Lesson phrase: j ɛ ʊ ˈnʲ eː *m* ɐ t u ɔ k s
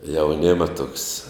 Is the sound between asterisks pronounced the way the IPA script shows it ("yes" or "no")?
yes